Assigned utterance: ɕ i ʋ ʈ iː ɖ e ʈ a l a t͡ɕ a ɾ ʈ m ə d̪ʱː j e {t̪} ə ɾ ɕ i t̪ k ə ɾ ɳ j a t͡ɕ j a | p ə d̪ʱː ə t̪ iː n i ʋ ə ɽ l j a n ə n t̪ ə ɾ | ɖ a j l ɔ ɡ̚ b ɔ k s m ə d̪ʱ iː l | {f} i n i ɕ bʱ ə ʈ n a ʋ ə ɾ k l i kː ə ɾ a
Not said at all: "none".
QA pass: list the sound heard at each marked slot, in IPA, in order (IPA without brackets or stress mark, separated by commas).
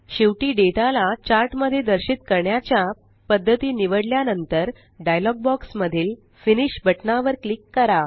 d̪, f